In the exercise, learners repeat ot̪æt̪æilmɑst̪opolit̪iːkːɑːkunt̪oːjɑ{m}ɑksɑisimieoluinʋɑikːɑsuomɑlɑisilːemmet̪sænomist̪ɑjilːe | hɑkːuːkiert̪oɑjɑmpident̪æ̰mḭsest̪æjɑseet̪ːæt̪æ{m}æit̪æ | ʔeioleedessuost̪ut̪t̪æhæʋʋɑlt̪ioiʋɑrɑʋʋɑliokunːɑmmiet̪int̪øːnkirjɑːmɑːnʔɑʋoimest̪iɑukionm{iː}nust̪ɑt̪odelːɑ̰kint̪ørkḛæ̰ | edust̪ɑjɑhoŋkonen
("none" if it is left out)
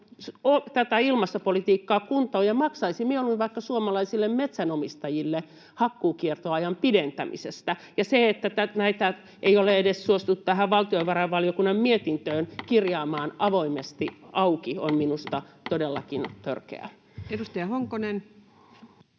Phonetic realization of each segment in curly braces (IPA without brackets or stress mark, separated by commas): m, n, i